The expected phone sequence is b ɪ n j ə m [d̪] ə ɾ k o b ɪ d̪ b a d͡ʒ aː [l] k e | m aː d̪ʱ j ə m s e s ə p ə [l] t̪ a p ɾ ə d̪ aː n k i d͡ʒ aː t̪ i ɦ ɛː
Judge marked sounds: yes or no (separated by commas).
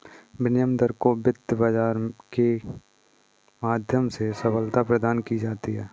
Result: yes, no, yes